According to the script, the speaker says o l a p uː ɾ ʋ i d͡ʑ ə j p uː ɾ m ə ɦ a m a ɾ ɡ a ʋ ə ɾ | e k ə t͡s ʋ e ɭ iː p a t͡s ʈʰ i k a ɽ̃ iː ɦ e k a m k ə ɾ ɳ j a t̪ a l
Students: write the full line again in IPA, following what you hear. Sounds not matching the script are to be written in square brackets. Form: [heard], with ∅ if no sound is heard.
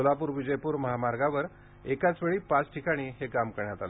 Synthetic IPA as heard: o l a p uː ɾ ʋ i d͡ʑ ə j p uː ɾ m ə ɦ a m a ɾ ɡ a ʋ ə ɾ | e k [a] t͡s ʋ e ɭ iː p a t͡s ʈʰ i k a ɽ̃ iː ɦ e k a m k ə ɾ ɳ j a t̪ a l

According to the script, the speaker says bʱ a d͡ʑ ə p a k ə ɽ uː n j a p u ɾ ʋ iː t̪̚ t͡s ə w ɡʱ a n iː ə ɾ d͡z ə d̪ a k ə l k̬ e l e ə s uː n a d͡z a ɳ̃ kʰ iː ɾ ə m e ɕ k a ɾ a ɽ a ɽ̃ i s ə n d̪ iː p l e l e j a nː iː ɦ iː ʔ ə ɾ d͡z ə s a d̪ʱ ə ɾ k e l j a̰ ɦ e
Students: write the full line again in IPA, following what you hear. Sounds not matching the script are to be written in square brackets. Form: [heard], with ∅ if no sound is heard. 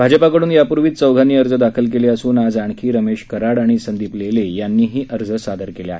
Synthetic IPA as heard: bʱ a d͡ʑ ə p a k ə ɽ uː n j a p u ɾ ʋ iː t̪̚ t͡s ə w ɡʱ a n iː ə ɾ d͡z ə d̪ a [kʰ] ə l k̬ e l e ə s uː n a d͡z a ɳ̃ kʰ iː ɾ ə m e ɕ k [ə] ɾ a ɽ a ɽ̃ i s ə n d̪ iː p l e l e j a nː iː ɦ iː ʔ ə ɾ d͡z ə s a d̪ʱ ə ɾ k e l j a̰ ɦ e

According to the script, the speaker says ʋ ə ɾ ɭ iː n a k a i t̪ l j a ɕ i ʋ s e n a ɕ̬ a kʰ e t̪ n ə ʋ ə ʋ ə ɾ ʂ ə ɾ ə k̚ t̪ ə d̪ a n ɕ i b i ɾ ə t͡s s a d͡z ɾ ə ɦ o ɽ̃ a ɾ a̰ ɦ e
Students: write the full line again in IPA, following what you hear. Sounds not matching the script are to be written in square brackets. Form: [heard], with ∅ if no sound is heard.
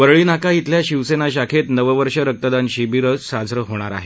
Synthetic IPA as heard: ʋ ə ɾ ɭ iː n a k a i t̪ l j a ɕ i ʋ s e n a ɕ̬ a kʰ e t̪ n ə ʋ ə ʋ ə ɾ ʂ ə ɾ ə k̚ t̪ ə d̪ a n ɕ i b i ɾ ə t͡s s a d͡z ɾ ə ɦ o ɽ̃ a ɾ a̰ ɦ e

